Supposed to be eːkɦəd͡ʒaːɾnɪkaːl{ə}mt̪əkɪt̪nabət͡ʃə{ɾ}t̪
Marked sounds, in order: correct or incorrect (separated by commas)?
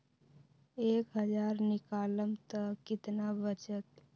correct, incorrect